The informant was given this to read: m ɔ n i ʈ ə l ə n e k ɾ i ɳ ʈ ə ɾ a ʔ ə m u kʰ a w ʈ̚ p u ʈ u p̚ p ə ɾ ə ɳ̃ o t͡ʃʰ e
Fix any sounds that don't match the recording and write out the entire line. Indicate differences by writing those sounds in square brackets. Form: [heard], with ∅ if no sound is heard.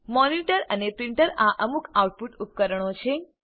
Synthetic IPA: m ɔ n i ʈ ə [ɾ] ə n e [p] ɾ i ɳ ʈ ə ɾ a ʔ ə m u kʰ a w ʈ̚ p u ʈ u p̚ [k] ə ɾ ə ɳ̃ o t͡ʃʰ e